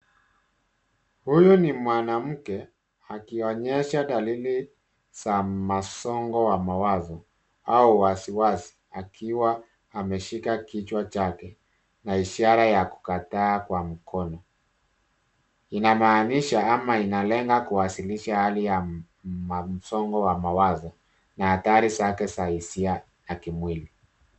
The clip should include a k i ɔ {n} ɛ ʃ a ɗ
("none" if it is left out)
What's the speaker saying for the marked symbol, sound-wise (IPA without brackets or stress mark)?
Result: ɲ